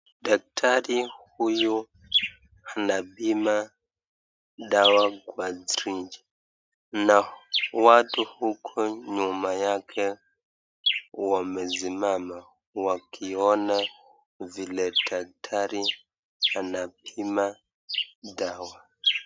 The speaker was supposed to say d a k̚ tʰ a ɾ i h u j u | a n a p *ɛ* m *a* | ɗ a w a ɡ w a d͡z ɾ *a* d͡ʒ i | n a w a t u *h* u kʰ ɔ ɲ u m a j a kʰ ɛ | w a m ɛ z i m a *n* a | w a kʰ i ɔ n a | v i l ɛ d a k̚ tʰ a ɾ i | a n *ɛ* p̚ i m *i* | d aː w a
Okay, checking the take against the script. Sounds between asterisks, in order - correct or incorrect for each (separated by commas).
incorrect, correct, incorrect, correct, incorrect, incorrect, incorrect